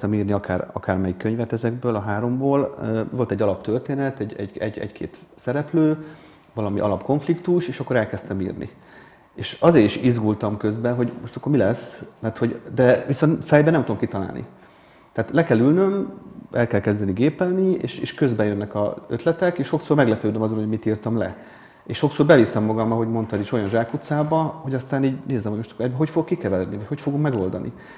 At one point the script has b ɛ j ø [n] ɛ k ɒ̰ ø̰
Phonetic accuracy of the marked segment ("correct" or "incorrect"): incorrect